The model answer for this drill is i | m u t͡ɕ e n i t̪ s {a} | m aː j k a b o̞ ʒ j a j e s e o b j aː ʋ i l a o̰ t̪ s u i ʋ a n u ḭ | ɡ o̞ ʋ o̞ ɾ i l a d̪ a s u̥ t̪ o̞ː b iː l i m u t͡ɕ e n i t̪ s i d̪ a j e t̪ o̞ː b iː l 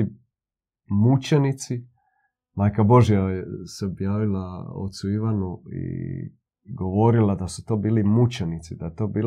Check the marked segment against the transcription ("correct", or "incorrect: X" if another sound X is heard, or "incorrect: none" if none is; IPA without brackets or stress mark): incorrect: i